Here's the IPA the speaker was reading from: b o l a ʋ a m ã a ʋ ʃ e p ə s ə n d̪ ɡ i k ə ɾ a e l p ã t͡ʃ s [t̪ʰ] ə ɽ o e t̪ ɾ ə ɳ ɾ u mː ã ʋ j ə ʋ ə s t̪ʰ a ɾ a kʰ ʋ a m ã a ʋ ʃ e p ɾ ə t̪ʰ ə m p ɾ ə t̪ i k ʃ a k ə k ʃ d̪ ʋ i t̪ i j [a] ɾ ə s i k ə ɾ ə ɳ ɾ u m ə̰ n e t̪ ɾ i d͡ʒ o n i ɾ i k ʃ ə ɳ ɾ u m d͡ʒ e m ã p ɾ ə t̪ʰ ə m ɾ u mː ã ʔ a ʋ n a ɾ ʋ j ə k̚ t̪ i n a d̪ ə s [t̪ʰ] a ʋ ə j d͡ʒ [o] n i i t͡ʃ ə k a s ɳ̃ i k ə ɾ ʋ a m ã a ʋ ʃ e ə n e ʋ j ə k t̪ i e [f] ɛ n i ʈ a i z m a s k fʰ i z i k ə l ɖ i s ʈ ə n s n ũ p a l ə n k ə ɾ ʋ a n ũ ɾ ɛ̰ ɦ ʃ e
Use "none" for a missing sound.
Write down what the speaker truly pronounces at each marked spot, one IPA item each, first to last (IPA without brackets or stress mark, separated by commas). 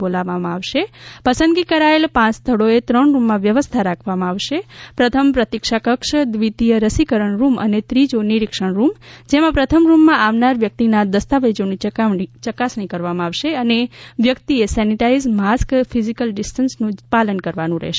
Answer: t̪ʰ, ə, t̪, o, s